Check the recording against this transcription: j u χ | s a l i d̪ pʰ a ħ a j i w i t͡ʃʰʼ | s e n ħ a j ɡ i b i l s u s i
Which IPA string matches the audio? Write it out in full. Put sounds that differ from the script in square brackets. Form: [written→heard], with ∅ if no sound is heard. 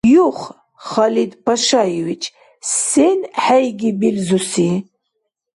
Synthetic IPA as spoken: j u χ | [s→χ] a l i d̪ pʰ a [ħ→ʃ] a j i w i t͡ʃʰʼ | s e n ħ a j ɡ i b i l [s→z] u s i